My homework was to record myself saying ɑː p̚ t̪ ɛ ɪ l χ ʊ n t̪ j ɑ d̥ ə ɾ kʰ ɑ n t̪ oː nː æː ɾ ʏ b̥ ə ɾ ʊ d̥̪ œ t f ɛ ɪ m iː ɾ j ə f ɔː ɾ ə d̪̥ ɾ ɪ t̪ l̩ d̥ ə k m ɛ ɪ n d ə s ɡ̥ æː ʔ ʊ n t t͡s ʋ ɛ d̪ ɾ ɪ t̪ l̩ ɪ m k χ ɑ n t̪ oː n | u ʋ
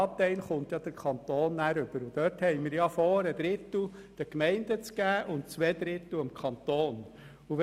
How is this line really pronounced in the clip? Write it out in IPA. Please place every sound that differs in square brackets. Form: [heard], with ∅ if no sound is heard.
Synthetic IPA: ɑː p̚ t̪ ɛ ɪ l χ ʊ n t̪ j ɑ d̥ ə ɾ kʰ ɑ n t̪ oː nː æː ɾ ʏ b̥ ə ɾ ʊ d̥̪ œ t [h] ɛ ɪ m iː ɾ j [ɑ] f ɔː ɾ ə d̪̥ ɾ ɪ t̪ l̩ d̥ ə k m ɛ ɪ n d ə [t͡s] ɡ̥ æː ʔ ʊ n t t͡s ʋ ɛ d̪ ɾ ɪ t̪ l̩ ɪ m k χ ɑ n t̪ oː n | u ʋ